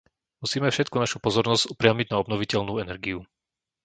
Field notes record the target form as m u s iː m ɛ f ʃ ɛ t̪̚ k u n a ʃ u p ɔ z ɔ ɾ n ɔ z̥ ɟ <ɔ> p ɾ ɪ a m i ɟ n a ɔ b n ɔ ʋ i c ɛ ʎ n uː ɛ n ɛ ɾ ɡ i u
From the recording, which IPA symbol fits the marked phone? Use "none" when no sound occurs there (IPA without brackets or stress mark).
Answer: u